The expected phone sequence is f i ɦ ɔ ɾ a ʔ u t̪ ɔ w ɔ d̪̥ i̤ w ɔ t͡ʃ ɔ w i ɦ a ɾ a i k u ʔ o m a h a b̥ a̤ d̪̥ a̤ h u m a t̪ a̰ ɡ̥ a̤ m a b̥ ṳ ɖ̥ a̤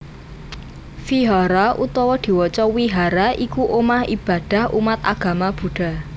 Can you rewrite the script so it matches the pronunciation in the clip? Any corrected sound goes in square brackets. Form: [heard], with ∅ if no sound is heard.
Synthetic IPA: f i ɦ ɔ ɾ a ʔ u t̪ ɔ w ɔ d̪̥ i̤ w ɔ t͡ʃ ɔ w i ɦ a ɾ a i k u ʔ o m a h [i] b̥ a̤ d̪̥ a̤ h u m a t̪ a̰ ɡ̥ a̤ m a b̥ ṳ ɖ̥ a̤